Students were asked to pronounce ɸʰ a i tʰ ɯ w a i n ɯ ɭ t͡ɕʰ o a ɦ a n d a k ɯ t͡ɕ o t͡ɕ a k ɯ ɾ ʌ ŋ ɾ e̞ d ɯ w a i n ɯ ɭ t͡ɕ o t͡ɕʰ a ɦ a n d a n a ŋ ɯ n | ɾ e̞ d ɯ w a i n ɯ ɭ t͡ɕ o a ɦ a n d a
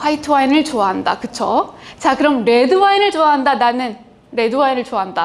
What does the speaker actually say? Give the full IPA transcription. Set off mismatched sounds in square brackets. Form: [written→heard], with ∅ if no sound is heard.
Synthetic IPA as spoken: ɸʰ a i tʰ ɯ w a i n ɯ ɭ [t͡ɕʰ→t͡ɕ] o a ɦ a n d a k ɯ [t͡ɕ→t͡ɕʰ] o t͡ɕ a k ɯ ɾ ʌ [ŋ→m] ɾ e̞ d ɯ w a i n ɯ ɭ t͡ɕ o [t͡ɕʰ→∅] a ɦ a n d a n a [ŋ→n] ɯ n | ɾ e̞ d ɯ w a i n ɯ ɭ t͡ɕ o a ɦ a n d a